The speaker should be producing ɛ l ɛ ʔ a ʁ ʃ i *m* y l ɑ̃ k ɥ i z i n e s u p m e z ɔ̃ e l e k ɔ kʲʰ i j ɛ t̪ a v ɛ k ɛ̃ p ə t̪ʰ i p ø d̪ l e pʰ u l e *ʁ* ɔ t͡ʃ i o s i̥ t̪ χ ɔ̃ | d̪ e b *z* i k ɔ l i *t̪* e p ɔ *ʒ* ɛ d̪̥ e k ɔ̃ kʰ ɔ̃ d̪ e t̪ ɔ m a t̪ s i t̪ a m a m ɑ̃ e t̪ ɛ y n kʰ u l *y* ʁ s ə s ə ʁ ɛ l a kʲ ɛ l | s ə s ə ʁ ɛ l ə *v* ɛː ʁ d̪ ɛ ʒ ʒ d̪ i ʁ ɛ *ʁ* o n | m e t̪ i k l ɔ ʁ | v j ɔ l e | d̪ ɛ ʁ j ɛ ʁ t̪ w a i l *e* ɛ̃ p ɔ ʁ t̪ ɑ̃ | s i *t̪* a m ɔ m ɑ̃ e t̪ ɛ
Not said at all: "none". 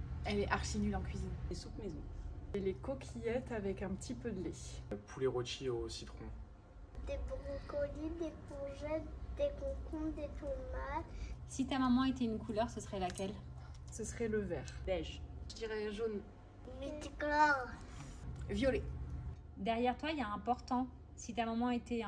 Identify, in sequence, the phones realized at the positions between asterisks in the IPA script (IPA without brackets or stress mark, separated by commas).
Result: n, ʁ, ʁ, d̪, ʒ, œ, v, ʒ, a, t̪